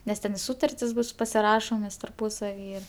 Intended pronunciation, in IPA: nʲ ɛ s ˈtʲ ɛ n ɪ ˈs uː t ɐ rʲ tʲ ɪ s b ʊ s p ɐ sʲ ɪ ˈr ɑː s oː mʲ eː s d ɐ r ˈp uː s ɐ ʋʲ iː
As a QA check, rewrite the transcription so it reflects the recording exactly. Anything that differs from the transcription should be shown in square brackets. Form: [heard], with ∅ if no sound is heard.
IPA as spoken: nʲ ɛ s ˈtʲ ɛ n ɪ ˈs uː t ɐ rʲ tʲ ɪ s b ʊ s p ɐ sʲ ɪ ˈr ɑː [ʃ] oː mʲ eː s [t] ɐ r ˈp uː s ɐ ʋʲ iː